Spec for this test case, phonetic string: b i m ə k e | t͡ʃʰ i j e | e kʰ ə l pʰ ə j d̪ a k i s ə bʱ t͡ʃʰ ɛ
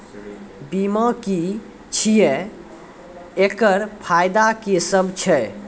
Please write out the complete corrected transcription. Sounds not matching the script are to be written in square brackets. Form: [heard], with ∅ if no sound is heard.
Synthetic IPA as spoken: b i m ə k [i] | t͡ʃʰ i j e | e [k] ə [ɾ] pʰ [a] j d̪ a k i s ə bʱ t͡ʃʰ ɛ